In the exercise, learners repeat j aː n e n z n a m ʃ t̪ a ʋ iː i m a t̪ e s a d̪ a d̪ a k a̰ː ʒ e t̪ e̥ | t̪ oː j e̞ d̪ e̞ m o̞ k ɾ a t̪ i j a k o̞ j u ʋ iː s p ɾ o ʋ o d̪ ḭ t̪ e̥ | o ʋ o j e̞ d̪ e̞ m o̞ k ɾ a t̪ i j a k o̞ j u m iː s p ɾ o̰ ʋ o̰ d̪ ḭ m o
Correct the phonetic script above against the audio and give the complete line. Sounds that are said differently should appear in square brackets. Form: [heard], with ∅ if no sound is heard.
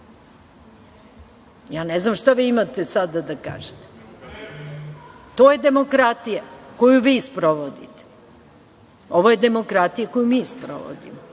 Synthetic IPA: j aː n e [∅] z n a m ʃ t̪ a ʋ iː i m a t̪ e s a d̪ a d̪ a k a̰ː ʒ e t̪ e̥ | t̪ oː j e̞ d̪ e̞ m o̞ k ɾ a t̪ i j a k o̞ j u ʋ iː s p ɾ o ʋ o d̪ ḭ t̪ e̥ | o ʋ o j e̞ d̪ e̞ m o̞ k ɾ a t̪ i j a k o̞ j u m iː s p ɾ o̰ ʋ o̰ d̪ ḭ m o